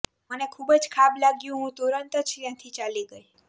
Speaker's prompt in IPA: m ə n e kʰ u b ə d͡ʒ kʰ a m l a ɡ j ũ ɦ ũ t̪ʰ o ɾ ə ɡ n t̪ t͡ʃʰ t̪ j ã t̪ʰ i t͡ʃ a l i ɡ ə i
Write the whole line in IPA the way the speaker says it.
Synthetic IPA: m ə n e kʰ u b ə d͡ʒ kʰ a b l a ɡ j ũ ɦ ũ t̪ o ɾ ə n t̪ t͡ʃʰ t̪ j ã t̪ʰ i t͡ʃ a l i ɡ ə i